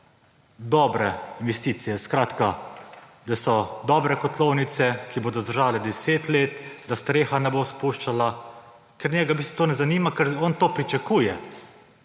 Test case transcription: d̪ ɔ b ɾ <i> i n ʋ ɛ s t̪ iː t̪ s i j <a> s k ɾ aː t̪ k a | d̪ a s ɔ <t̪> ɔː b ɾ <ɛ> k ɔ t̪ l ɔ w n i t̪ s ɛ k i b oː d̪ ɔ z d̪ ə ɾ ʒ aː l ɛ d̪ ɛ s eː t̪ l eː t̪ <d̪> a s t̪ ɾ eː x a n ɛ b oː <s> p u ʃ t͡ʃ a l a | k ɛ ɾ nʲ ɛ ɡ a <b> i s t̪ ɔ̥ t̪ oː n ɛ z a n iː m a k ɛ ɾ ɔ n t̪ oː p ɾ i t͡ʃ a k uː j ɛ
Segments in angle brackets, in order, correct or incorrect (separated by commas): incorrect, incorrect, incorrect, correct, correct, correct, correct